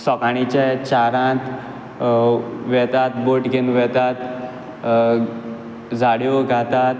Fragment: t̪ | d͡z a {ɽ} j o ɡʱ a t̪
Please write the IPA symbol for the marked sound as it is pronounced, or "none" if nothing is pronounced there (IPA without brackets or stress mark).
ɽ